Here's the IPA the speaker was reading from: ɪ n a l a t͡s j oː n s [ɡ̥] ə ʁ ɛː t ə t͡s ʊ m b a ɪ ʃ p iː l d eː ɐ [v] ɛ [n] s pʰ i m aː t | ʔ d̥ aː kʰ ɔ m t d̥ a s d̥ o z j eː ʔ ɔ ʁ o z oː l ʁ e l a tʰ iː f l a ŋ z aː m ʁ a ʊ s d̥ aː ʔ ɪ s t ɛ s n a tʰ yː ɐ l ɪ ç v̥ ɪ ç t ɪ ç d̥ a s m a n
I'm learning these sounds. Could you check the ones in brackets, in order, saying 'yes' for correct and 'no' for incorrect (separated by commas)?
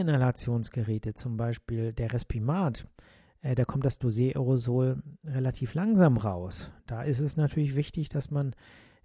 yes, no, no